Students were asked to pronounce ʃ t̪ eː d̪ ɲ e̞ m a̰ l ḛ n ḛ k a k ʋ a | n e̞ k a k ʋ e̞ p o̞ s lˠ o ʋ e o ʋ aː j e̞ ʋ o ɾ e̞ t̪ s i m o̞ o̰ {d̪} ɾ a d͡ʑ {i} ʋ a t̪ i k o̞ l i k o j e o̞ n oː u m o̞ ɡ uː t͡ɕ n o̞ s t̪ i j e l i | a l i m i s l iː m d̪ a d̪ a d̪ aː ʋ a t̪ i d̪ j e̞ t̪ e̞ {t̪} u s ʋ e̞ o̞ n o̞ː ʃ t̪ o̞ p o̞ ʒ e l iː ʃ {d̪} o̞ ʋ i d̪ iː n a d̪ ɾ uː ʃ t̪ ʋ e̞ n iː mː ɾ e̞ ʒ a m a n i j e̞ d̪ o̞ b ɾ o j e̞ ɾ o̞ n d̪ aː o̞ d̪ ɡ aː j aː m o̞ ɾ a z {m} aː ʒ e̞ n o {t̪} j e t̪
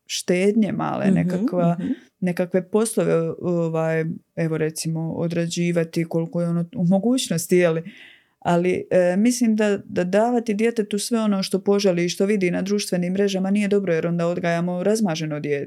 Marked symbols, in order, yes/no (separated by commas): yes, no, yes, no, yes, no